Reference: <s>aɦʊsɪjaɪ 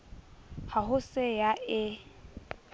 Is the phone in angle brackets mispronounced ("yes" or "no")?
yes